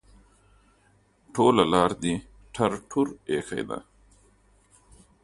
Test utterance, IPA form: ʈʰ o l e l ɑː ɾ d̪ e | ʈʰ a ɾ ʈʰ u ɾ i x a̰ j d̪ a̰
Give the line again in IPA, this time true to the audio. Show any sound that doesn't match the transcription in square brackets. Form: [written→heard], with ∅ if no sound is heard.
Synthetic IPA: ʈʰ o l [e→a] l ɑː ɾ d̪ [e→i] | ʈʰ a ɾ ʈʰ u ɾ [i→e] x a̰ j d̪ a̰